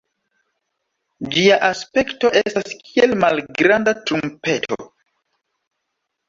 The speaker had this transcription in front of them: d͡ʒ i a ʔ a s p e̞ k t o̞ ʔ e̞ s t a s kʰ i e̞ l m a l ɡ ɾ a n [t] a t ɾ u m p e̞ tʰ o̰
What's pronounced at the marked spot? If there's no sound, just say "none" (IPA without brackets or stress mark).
d